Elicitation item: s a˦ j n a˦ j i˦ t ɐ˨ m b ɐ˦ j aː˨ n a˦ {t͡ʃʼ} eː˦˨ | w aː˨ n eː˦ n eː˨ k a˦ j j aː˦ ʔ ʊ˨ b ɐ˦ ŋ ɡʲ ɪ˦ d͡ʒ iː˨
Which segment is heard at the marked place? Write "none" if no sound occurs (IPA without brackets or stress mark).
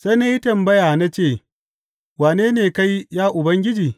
t͡ʃ